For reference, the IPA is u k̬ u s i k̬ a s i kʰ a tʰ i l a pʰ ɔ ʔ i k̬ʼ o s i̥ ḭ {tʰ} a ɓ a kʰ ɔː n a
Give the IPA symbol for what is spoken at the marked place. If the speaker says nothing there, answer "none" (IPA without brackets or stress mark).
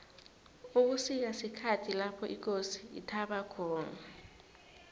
tʰ